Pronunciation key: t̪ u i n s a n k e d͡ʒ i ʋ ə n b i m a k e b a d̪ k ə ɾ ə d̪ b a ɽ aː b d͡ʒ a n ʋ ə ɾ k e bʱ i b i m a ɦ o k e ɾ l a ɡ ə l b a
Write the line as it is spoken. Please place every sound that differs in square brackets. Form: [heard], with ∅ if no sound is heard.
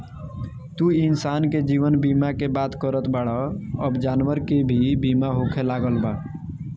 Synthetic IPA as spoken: t̪ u i n s a n k e d͡ʒ i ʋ ə n b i m a k e b a [t̪] k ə ɾ ə [t̪] b a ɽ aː b d͡ʒ a n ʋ ə ɾ k e bʱ i b i m a ɦ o [kʰ] e [∅] l a ɡ ə l b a